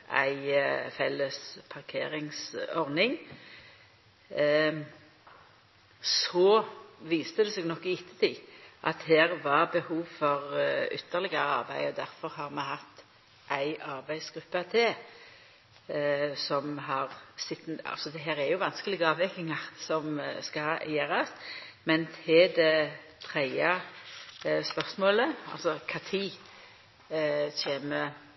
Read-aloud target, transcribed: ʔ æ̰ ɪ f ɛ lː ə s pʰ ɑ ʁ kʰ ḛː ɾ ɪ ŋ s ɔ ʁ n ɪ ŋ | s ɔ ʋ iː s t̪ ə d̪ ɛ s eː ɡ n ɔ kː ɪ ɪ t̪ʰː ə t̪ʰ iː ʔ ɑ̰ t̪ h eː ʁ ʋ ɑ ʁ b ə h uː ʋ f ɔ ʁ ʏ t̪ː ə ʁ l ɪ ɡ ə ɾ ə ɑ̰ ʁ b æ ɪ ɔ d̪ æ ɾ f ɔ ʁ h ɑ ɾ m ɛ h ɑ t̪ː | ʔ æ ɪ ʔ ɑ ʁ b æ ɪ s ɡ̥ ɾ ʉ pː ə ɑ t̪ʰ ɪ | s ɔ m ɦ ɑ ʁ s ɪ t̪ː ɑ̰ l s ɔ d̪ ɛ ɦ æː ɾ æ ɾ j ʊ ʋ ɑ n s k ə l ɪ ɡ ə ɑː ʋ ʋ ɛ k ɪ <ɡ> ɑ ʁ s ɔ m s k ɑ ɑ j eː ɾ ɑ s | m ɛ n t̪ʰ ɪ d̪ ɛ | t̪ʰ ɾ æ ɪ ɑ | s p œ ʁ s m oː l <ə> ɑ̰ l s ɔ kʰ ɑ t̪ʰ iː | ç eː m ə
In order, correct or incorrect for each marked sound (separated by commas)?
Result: incorrect, correct